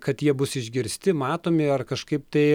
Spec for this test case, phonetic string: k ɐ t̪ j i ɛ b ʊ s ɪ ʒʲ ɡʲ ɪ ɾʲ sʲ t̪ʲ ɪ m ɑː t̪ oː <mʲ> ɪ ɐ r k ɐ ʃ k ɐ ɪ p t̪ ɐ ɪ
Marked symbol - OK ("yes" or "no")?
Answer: yes